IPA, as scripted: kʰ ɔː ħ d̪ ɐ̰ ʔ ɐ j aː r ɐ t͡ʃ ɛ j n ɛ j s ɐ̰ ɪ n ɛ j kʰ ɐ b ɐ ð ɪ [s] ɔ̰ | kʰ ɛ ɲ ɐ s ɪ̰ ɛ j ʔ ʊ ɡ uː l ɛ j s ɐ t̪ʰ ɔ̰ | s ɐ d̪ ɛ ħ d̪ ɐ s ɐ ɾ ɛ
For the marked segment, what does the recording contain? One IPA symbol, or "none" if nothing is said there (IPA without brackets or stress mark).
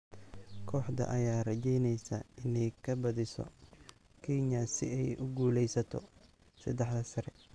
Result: s